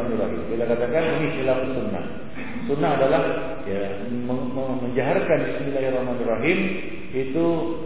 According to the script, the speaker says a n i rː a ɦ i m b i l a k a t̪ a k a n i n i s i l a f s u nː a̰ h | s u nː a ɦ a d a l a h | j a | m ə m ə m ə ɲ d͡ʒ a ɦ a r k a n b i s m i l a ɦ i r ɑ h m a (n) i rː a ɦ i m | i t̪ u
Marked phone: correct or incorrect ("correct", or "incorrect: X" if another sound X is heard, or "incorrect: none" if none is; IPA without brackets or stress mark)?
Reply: correct